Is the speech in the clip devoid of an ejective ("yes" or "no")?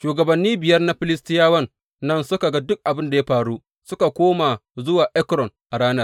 yes